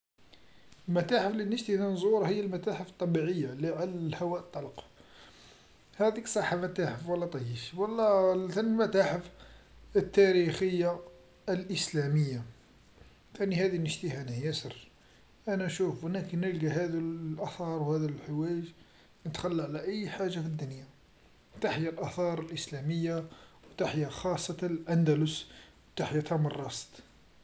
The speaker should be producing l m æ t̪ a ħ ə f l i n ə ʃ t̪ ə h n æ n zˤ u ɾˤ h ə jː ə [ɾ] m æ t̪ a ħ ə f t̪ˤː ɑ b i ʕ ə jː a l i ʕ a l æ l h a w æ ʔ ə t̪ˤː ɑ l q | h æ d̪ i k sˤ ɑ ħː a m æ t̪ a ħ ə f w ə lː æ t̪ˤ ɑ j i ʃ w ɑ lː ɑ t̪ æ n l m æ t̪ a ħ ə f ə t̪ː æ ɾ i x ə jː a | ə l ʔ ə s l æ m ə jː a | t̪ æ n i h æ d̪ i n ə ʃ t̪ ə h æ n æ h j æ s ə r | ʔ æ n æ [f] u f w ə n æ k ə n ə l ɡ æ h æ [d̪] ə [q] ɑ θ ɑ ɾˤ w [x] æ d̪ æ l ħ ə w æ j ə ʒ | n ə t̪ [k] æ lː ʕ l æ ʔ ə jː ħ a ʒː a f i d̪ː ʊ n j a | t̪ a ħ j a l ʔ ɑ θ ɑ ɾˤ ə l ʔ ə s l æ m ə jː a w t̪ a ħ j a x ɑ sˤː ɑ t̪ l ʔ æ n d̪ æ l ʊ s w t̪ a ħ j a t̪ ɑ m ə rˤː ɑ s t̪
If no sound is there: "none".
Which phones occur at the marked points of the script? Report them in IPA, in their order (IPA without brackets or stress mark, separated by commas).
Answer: l, ʃ, d̪, ʔ, h, x